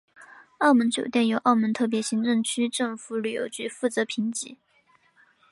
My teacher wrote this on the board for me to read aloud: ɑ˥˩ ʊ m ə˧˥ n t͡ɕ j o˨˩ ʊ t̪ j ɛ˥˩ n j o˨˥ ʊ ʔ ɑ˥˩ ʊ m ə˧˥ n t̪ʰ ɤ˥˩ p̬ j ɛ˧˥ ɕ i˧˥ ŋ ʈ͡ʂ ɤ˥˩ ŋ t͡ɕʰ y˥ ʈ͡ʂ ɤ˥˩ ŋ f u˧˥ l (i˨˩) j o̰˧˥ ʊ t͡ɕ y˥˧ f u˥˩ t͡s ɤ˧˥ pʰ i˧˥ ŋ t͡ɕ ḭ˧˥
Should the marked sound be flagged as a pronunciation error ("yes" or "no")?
yes